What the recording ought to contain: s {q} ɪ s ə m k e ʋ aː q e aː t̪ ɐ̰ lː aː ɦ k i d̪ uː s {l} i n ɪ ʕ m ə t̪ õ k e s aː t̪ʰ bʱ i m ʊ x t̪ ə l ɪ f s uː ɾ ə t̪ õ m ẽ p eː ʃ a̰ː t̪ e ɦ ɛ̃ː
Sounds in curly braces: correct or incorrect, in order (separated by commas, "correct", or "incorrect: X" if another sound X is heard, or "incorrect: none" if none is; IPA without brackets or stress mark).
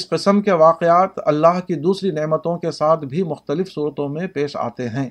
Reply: correct, incorrect: ɾ